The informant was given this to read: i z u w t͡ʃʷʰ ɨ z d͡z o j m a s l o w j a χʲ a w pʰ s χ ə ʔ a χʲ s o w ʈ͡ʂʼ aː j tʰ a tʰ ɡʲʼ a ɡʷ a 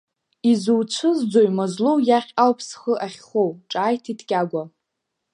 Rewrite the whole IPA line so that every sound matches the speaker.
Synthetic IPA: i z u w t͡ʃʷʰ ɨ z d͡z o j m a z l o w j a χʲ a w pʰ s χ ə ʔ a χʲ χ o w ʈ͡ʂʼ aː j tʰ i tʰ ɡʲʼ a ɡʷ a